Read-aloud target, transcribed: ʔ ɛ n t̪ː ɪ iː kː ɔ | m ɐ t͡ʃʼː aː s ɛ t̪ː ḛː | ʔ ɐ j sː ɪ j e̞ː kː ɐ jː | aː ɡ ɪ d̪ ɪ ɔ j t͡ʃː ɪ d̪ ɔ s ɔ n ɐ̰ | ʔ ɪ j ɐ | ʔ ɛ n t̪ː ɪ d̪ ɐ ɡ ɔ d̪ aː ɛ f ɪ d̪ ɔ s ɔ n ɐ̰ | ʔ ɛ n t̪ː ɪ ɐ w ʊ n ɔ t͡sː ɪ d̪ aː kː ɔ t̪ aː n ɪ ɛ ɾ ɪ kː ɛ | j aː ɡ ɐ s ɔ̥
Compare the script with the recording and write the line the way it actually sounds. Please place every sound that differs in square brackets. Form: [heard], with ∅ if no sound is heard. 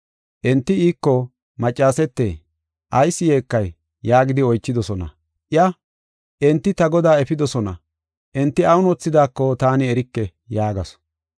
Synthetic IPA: ʔ ɛ n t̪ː ɪ iː kː ɔ | m ɐ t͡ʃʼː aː s ɛ t̪ː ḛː | ʔ ɐ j sː ɪ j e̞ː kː ɐ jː | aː ɡ ɪ d̪ ɪ ɔ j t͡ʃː ɪ d̪ ɔ s ɔ n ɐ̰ | ʔ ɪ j ɐ | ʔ ɛ n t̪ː ɪ [t̪] ɐ ɡ ɔ d̪ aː ɛ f ɪ d̪ ɔ s ɔ n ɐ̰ | ʔ ɛ n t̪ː ɪ ɐ w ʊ n ɔ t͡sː ɪ d̪ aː kː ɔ t̪ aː n ɪ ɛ ɾ ɪ kː ɛ | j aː ɡ ɐ s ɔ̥